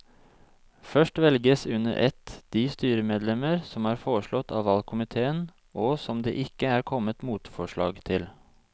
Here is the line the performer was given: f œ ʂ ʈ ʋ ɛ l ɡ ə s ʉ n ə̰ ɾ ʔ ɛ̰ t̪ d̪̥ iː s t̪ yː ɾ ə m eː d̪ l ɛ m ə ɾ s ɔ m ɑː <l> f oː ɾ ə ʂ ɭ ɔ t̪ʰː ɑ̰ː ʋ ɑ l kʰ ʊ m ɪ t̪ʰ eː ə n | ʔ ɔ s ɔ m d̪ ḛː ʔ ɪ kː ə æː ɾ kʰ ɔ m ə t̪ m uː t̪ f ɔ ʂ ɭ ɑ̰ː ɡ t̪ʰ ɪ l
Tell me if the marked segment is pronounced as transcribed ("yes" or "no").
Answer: no